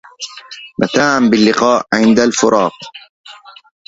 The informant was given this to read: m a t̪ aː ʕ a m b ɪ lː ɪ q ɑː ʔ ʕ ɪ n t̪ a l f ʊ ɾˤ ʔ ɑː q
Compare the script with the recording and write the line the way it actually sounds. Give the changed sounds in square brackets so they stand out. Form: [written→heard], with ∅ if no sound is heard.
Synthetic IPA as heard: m a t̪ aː ʕ a m b ɪ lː ɪ q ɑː ʔ ʕ ɪ n [t̪→d̪] a l f ʊ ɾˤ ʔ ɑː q